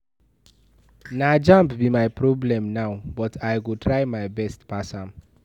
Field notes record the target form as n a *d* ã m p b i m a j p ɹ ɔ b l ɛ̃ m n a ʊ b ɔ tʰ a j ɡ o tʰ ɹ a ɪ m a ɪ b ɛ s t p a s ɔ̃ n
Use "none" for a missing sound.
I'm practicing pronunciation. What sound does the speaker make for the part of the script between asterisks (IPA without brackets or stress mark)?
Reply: d͡ʒ